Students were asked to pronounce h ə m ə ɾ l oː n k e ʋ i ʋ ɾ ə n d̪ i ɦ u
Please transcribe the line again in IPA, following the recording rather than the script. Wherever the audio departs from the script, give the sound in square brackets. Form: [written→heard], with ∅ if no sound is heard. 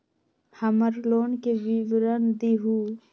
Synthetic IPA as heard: h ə m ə ɾ l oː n k e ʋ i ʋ ɾ ə n d̪ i ɦ u